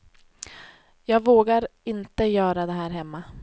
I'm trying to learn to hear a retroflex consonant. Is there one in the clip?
no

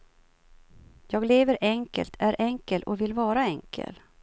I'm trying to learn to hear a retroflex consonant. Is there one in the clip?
no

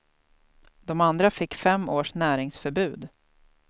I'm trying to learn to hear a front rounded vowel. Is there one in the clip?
yes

